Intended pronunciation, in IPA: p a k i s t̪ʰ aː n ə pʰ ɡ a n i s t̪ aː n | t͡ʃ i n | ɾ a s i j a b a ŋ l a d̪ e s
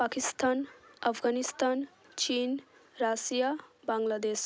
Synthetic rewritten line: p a k i s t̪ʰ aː n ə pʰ ɡ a n i s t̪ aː n | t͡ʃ i n | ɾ a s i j a b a ŋ l a d̪ e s